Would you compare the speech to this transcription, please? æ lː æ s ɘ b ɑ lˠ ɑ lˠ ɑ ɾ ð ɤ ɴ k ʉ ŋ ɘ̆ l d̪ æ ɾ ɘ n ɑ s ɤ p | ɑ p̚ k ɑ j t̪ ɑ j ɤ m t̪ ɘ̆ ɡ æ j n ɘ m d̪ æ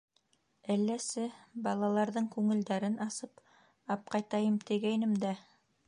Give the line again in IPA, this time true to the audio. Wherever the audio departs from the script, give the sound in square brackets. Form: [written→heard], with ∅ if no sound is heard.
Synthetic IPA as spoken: æ lː æ s ɘ b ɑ lˠ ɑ lˠ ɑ ɾ ð ɤ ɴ k ʉ ŋ ɘ̆ l d̪ æ ɾ ɘ n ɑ s ɤ p | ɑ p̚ [k→q] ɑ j t̪ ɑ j ɤ m t̪ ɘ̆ ɡ æ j n ɘ m d̪ æ